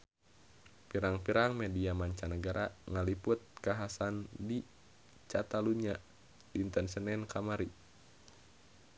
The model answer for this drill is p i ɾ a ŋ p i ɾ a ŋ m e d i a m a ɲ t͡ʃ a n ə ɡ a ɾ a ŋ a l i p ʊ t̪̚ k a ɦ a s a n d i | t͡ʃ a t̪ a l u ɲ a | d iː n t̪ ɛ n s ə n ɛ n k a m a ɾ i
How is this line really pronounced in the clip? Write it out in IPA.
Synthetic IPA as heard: p i ɾ a ŋ p i ɾ a ŋ m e d i a m a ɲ t͡ʃ a n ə ɡ a ɾ a ŋ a l i p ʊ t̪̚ k a ɦ a s a n d i | t͡ʃ a t̪ a l u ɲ a | d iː n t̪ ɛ n s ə n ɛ n k a m a ɾ i

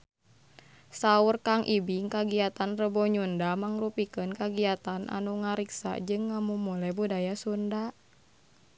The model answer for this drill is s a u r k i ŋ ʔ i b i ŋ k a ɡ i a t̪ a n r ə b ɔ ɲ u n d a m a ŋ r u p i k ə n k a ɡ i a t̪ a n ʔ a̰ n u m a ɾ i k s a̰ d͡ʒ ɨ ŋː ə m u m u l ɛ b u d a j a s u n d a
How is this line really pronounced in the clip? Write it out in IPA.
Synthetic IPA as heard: s a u r k a ŋ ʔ i b i ŋ k a ɡ i a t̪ a n r ə b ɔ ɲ u n d a m a ŋ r u p i k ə n k a ɡ i a t̪ a n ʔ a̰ n u ŋ a ɾ i k s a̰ d͡ʒ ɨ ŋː a m u m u l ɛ b u d a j a s u n d a

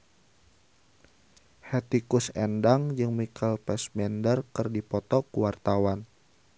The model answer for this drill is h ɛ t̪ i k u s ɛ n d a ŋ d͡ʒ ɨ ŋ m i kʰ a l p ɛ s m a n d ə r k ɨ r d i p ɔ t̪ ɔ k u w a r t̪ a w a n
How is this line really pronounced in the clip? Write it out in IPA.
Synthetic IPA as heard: h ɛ t̪ i k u s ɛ n d a ŋ d͡ʒ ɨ ŋ m i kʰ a l p ɛ s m ɛ n d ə r k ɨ r d i p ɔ t̪ ɔ k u w a r t̪ a w a n

